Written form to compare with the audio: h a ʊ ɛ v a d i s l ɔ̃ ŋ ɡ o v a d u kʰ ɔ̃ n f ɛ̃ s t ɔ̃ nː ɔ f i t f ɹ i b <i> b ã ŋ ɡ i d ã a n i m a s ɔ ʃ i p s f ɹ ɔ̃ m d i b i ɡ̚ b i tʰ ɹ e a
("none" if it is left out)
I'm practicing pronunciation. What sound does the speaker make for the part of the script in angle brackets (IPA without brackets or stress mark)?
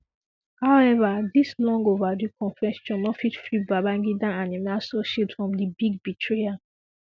a